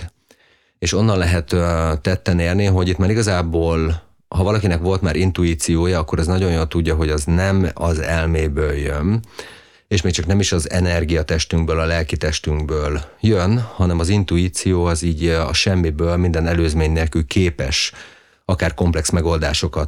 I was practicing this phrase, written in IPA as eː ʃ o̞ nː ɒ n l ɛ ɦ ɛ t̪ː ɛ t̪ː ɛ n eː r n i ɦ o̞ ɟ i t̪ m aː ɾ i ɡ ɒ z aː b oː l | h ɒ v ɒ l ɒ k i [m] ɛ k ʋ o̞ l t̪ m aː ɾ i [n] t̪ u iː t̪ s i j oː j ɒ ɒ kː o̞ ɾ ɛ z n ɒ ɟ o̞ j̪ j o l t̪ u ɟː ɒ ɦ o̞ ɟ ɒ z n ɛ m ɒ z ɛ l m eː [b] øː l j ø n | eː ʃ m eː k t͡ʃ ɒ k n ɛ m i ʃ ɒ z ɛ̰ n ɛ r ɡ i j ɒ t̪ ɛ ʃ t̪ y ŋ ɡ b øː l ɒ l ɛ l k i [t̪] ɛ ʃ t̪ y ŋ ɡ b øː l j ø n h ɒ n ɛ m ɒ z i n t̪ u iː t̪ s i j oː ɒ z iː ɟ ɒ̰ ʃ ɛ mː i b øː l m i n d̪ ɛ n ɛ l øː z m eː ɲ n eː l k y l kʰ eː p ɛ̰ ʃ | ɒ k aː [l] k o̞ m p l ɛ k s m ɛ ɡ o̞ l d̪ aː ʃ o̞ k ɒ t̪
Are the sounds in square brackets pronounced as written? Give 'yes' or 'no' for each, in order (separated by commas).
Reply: no, yes, yes, yes, no